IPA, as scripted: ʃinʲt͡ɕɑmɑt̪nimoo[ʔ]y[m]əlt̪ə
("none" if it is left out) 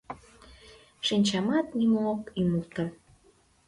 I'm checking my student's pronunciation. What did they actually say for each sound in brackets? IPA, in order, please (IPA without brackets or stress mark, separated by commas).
k, m